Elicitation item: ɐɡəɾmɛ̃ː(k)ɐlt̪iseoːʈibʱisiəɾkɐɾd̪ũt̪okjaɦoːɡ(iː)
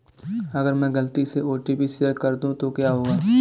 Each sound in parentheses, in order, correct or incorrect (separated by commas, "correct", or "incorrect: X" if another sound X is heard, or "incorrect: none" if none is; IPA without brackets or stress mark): incorrect: ɡ, incorrect: aː